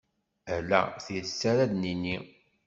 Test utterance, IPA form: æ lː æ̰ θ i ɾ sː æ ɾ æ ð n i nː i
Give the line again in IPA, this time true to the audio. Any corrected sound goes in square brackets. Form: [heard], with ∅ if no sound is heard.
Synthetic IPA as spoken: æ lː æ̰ θ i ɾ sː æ ɾ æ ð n i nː i